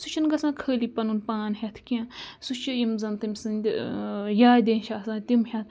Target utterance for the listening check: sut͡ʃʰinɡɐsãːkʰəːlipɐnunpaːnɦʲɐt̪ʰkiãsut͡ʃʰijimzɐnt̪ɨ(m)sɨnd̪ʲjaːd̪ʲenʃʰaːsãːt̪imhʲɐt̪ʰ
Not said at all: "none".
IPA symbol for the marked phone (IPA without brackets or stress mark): m